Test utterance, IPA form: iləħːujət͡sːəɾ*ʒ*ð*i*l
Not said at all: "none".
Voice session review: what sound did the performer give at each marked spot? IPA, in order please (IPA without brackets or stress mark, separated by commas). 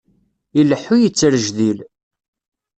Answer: ʒ, i